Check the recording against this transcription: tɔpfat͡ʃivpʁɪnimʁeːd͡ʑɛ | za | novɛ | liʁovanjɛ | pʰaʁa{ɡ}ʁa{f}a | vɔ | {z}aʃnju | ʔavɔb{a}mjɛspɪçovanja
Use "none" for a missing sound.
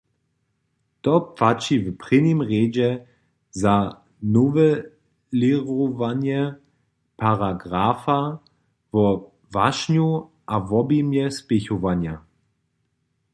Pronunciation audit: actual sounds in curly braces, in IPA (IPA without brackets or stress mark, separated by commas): ɡ, f, v, i